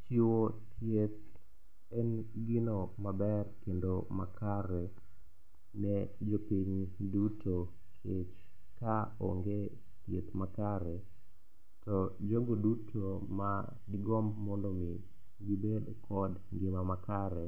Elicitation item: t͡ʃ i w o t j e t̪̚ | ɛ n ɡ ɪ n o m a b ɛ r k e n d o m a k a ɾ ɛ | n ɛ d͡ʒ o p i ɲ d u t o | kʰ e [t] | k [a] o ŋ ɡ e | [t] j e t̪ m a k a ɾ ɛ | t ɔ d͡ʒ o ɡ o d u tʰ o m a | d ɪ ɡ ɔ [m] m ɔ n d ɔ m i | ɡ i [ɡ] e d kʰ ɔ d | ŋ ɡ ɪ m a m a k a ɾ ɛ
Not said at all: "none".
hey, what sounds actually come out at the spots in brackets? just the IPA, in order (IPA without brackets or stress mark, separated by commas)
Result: t͡ʃ, a, t, m, b